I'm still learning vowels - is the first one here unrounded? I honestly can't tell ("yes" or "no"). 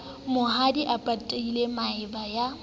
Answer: no